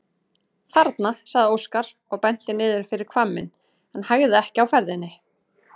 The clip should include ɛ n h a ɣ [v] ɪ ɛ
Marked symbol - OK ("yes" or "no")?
no